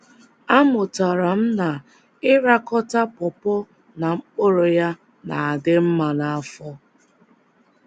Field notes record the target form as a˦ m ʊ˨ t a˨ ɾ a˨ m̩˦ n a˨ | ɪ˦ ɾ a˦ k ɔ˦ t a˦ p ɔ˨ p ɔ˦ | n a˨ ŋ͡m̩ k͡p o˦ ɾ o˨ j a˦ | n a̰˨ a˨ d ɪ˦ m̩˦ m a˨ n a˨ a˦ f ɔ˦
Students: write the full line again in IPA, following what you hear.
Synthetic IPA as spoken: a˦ m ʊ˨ t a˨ ɾ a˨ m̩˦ n a˨ | ɪ˦ ɾ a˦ k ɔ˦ t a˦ p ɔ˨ p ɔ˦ | n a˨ ŋ͡m̩ k͡p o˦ ɾ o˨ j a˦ | n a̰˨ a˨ d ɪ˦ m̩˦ m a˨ n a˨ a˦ f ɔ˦